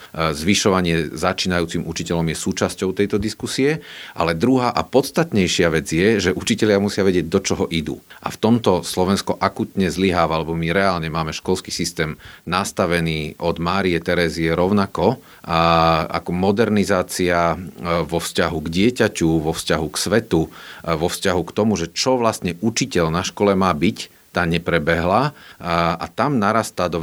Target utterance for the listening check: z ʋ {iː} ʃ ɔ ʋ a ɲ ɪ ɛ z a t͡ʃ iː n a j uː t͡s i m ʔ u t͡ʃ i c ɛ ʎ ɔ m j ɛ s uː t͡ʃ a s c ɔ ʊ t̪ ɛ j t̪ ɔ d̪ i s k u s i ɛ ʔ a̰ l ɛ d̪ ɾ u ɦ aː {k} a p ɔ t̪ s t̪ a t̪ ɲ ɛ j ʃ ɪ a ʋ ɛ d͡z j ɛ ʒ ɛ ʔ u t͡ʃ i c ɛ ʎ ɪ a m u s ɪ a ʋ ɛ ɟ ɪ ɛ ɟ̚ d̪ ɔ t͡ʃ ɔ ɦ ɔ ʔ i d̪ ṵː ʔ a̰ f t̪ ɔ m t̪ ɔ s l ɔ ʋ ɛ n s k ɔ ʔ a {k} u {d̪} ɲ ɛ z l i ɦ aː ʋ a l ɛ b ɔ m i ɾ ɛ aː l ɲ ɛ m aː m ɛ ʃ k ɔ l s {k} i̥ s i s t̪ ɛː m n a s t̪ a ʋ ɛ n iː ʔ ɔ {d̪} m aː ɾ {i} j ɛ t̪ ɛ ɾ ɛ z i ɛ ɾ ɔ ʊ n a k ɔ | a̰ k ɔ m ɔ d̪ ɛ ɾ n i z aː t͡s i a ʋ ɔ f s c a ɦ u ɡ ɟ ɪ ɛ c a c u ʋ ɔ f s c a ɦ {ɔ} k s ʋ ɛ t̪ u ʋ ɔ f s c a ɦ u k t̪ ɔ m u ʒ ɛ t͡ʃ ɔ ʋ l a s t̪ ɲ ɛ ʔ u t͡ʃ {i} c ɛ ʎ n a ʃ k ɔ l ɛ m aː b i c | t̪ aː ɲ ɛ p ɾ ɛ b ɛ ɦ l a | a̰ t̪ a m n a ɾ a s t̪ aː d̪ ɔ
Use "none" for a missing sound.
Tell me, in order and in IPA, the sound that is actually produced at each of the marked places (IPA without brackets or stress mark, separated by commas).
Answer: i, ʔ, k, t̪, k, d̪, i, u, i